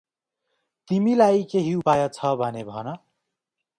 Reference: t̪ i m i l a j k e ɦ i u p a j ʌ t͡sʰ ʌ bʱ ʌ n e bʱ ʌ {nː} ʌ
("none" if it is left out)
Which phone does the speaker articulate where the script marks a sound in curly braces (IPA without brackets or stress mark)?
n